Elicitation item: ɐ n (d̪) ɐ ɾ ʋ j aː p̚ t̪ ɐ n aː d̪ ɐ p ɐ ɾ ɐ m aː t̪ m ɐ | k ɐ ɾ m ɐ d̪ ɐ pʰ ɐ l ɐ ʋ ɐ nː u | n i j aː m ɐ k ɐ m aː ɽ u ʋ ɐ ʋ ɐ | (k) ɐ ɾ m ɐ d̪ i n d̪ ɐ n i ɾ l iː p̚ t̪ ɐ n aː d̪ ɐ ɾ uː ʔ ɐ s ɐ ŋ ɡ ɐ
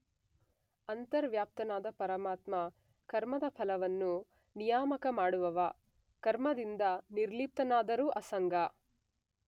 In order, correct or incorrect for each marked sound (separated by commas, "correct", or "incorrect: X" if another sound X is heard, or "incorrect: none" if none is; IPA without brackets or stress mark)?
incorrect: t̪, correct